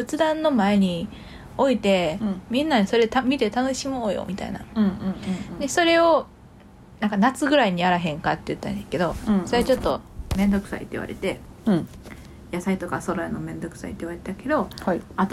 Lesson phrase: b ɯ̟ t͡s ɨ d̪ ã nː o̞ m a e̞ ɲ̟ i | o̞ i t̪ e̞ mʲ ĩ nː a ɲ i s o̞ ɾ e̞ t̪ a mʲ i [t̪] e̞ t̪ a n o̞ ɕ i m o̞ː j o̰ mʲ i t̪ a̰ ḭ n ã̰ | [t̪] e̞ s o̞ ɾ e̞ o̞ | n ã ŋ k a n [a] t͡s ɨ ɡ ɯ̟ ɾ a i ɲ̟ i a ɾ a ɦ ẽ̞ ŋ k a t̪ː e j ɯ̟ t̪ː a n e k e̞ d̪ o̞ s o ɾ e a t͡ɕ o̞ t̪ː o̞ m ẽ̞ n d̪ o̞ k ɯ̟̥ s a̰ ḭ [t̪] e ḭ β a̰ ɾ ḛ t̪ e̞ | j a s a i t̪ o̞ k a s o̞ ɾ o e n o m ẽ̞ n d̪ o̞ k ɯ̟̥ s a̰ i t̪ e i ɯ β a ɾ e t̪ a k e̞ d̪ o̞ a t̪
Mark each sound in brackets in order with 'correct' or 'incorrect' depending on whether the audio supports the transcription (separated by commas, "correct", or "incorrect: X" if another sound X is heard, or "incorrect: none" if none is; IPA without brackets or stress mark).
correct, incorrect: d̪, correct, correct